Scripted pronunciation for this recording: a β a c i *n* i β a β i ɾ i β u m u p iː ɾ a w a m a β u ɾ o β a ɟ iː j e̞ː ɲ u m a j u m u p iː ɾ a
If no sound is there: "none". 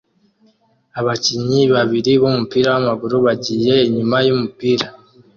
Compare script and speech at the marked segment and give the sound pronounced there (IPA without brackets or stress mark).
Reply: ɲ